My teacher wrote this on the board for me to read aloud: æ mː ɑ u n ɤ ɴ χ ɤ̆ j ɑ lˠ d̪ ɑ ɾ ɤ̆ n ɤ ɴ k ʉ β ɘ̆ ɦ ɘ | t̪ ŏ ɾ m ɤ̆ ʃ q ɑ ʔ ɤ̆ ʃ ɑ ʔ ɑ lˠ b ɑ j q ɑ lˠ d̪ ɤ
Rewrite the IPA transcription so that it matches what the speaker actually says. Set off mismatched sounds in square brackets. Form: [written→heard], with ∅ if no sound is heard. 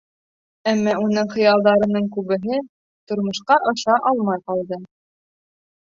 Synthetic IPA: æ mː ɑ u n ɤ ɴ χ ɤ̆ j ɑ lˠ d̪ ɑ ɾ ɤ̆ n ɤ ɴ k ʉ β ɘ̆ ɦ ɘ | t̪ ŏ ɾ m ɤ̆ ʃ q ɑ ʔ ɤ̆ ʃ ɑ ʔ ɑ lˠ [b→m] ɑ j q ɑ lˠ d̪ ɤ